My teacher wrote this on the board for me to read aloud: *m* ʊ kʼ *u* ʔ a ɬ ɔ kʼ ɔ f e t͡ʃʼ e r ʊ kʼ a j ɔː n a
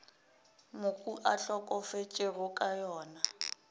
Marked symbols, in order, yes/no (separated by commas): yes, yes